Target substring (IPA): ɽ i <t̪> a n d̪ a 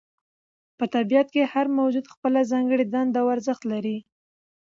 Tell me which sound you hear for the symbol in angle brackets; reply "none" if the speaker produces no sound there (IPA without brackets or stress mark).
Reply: d̪